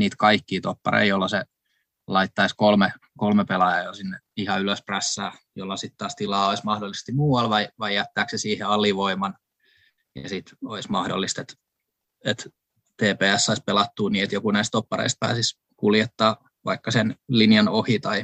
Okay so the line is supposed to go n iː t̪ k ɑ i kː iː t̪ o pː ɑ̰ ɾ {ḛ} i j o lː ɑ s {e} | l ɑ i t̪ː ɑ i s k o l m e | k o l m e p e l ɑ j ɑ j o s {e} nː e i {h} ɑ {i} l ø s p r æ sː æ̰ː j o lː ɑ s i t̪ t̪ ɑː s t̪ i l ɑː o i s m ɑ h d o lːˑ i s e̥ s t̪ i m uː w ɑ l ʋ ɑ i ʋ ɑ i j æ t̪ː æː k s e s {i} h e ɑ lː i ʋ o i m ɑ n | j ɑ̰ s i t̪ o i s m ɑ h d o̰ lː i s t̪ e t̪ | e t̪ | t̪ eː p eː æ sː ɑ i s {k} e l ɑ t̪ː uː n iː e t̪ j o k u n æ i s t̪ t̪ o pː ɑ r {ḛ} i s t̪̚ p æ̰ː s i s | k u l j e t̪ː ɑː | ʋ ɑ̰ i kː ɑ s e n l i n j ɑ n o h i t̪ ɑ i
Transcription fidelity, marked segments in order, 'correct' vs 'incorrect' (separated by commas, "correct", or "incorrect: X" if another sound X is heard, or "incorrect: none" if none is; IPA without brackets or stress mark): correct, correct, incorrect: i, correct, incorrect: y, incorrect: iː, incorrect: p, correct